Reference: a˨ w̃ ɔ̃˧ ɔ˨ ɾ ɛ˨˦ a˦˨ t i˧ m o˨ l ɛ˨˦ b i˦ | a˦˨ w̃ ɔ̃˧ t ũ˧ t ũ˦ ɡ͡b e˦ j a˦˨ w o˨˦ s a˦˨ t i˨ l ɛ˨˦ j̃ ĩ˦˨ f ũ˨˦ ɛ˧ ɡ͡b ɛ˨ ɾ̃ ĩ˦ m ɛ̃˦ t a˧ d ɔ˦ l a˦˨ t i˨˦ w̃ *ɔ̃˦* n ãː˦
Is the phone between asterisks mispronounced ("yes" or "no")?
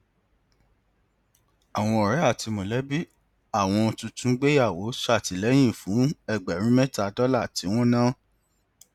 no